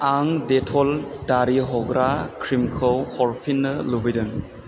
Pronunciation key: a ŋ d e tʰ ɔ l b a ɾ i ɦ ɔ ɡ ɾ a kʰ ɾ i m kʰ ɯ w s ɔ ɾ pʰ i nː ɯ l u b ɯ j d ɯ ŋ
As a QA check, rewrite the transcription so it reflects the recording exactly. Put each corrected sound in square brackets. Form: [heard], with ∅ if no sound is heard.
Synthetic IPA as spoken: a ŋ d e tʰ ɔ l [d] a ɾ i ɦ ɔ ɡ ɾ a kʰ ɾ i m kʰ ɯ w [h] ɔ ɾ pʰ i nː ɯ l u b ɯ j d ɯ ŋ